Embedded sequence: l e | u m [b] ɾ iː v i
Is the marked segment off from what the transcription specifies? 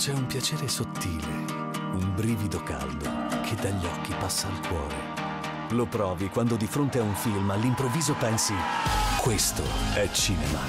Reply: no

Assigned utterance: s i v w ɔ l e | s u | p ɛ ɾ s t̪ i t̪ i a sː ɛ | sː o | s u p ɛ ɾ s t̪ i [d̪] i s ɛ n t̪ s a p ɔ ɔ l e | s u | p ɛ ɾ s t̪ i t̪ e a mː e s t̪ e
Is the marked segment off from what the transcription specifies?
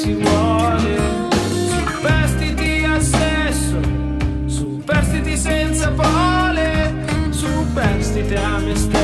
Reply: yes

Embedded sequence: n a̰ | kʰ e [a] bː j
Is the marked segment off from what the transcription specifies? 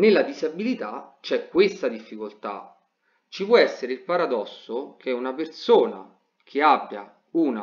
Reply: no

